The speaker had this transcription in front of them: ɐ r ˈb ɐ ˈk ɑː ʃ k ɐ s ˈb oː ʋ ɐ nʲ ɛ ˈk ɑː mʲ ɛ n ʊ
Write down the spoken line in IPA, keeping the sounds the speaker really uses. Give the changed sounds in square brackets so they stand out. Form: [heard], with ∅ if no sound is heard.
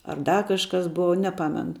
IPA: ɐ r [ˈd] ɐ ˈk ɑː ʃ k ɐ s ˈb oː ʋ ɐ nʲ ɛ [ˈp] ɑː mʲ ɛ n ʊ